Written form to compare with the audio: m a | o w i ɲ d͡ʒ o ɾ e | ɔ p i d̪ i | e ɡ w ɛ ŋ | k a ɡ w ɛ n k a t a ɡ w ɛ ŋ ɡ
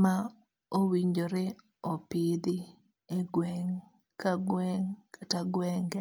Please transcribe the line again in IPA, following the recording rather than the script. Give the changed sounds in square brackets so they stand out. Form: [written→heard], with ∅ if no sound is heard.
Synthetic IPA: m a | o w i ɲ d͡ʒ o ɾ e | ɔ p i d̪ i | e ɡ w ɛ ŋ | k a ɡ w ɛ [n→ŋ] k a t a ɡ w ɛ ŋ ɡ